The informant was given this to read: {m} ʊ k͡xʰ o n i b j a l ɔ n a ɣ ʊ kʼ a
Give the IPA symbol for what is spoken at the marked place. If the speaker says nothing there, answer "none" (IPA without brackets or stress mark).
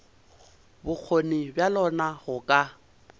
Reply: b